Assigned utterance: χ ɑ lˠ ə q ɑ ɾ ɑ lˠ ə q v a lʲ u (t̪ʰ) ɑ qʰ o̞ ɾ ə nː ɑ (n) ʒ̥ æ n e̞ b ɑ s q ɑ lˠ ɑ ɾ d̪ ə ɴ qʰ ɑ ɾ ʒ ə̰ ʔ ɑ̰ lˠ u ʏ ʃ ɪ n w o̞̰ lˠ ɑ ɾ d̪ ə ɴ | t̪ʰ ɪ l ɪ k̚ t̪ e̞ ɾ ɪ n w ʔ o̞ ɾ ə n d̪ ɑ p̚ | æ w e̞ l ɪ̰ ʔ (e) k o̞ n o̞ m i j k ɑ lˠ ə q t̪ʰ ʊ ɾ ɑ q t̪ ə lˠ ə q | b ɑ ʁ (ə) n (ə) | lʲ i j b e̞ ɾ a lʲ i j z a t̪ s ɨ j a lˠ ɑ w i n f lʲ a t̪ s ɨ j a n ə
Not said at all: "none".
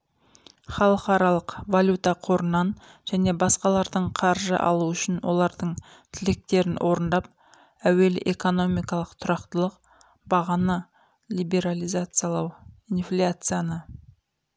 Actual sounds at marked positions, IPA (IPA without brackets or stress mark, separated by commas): t̪, n, e, ɑ, ɑ